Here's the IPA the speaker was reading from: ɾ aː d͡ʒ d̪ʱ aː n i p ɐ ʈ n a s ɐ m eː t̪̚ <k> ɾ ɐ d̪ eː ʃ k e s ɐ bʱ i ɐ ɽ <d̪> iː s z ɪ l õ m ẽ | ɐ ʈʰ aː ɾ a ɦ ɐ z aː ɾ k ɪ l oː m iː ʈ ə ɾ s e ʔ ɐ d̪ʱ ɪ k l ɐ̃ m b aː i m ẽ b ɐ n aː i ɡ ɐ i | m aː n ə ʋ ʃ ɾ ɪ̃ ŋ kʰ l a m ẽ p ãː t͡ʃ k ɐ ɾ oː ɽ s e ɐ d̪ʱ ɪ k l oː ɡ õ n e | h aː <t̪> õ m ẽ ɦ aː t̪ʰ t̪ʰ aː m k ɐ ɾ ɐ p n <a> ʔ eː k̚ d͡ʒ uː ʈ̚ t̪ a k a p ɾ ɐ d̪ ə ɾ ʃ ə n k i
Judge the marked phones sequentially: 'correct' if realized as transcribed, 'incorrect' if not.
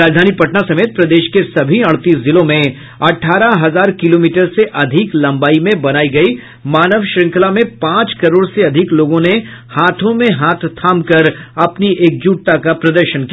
incorrect, incorrect, incorrect, incorrect

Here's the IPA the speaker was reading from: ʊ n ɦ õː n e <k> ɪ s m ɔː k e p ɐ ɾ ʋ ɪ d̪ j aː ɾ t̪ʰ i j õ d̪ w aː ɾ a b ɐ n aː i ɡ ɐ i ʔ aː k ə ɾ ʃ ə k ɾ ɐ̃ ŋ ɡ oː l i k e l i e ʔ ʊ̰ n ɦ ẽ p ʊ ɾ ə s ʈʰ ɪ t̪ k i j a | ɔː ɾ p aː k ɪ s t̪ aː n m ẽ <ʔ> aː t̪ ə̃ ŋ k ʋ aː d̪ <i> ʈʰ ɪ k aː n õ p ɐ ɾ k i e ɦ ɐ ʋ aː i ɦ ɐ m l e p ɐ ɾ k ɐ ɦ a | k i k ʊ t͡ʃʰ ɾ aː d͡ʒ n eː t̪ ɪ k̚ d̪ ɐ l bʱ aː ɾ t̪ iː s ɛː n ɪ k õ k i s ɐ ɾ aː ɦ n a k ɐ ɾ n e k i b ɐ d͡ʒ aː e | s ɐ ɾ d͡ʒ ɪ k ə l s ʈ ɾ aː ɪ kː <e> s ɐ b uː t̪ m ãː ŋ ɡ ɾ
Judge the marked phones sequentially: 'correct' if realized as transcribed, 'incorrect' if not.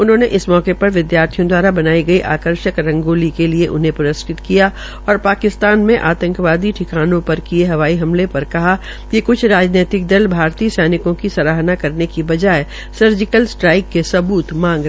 incorrect, correct, correct, correct

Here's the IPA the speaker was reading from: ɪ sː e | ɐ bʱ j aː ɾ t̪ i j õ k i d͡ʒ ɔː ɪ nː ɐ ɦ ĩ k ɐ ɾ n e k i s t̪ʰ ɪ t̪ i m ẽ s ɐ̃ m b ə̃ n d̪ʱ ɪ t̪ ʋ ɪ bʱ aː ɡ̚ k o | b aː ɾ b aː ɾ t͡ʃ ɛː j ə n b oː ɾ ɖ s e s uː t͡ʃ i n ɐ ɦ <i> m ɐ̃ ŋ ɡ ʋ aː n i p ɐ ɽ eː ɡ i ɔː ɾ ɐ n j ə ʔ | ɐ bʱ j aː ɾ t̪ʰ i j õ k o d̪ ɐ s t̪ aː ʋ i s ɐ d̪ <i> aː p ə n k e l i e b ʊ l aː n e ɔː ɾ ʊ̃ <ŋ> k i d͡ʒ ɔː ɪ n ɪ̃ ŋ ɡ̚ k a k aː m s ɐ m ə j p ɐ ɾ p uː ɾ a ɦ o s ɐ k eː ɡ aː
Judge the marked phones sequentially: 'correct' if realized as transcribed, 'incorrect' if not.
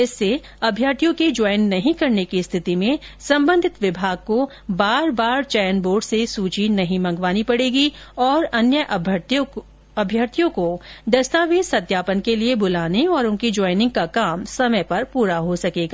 incorrect, incorrect, incorrect

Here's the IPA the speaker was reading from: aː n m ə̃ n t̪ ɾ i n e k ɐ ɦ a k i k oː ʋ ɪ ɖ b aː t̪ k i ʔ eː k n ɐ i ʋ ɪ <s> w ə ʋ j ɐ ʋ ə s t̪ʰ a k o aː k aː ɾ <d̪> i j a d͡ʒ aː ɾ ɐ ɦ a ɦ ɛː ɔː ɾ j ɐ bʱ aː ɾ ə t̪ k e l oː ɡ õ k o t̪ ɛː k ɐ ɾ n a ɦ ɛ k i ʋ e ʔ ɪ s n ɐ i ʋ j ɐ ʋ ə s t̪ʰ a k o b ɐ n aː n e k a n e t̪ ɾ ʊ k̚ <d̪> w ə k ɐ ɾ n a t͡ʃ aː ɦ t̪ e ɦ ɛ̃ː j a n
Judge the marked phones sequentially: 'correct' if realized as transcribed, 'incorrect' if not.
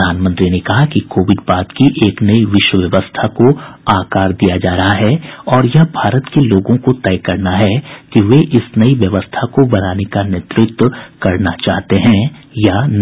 incorrect, correct, incorrect

